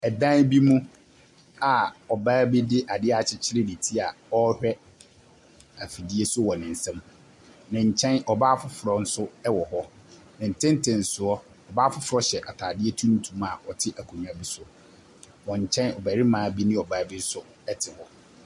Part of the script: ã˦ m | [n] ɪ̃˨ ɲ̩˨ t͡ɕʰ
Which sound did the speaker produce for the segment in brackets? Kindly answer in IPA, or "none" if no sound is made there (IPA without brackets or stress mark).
n